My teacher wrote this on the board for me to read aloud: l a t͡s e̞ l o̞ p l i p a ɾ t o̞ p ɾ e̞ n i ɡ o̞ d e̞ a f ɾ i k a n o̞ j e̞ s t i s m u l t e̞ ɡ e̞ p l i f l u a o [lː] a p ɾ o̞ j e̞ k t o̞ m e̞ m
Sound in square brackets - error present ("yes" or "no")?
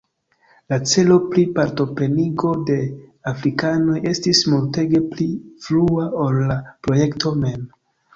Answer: no